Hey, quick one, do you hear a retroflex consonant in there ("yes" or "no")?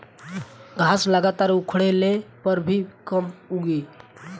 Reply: yes